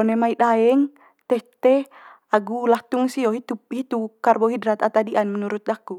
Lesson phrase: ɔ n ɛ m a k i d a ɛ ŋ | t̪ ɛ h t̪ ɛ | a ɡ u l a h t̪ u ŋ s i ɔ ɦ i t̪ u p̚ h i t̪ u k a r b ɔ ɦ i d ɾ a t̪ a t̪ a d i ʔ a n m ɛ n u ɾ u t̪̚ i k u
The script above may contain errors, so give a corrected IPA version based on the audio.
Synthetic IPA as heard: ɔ n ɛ m a i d a ɛ ŋ | t̪ ɛ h t̪ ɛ | a ɡ u l a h t̪ u ŋ s i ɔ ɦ i t̪ u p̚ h i t̪ u k a r b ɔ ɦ i d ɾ a t̪ a t̪ a d i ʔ a n m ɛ n u ɾ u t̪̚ a k u